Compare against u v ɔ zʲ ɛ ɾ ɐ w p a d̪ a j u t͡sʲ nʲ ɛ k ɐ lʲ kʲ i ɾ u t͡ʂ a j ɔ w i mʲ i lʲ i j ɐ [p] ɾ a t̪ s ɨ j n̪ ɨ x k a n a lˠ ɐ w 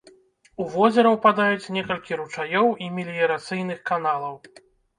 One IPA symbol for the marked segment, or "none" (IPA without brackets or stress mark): none